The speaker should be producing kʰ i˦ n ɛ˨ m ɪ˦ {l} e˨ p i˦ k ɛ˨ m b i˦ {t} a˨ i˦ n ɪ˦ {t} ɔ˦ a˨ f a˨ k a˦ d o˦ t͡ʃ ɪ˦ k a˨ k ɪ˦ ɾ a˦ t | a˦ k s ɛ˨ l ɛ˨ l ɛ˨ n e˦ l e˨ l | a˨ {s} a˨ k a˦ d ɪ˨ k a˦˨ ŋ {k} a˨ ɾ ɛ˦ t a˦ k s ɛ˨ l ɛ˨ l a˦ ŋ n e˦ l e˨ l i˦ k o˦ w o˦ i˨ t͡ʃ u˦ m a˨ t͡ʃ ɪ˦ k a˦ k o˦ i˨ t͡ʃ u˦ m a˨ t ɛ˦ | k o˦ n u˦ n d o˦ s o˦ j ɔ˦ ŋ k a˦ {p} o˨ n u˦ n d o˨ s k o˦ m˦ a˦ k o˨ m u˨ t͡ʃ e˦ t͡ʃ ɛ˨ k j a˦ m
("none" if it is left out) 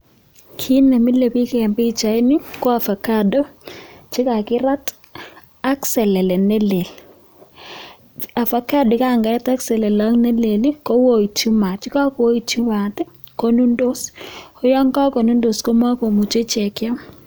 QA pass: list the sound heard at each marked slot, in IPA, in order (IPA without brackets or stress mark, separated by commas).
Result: l, t͡ʃ, k, f, ɡ, k